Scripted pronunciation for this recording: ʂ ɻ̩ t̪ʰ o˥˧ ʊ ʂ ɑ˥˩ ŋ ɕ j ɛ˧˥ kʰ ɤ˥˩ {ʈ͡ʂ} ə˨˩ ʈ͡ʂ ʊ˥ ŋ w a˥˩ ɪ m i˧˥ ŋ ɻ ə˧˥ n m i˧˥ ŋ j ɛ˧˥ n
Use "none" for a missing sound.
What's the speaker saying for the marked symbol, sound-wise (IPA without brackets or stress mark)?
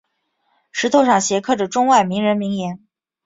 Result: ʈ͡ʂ